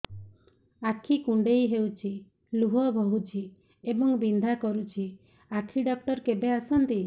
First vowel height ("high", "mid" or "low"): low